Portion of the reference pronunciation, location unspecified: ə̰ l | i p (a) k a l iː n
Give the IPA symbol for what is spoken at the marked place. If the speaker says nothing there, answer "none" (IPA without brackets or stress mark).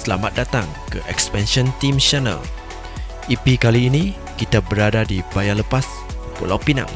i